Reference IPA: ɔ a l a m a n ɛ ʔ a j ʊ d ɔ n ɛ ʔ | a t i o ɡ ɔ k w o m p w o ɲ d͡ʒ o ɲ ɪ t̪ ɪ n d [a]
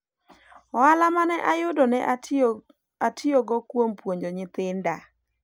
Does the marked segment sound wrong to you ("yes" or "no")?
no